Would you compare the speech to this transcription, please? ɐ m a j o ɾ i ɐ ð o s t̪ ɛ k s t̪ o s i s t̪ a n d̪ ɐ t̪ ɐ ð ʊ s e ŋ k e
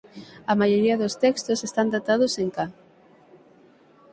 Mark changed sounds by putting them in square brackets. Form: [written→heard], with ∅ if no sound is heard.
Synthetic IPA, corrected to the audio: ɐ m a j o ɾ i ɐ ð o s t̪ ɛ k s t̪ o s [i→e] s t̪ a n d̪ [ɐ→a] t̪ [ɐ→a] ð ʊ s e ŋ k [e→a]